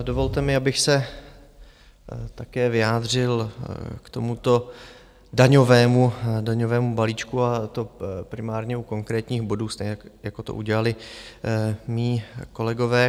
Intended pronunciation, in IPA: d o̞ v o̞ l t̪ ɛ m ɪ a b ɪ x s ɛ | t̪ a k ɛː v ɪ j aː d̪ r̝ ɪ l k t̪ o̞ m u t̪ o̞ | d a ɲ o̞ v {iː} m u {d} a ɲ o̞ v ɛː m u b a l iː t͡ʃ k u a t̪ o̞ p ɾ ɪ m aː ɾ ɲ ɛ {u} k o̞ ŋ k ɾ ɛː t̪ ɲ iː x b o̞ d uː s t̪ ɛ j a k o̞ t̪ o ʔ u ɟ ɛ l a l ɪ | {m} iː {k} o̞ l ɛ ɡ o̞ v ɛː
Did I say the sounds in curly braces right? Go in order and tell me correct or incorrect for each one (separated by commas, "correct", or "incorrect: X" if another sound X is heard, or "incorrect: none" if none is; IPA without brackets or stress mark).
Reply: incorrect: ɛː, correct, correct, correct, correct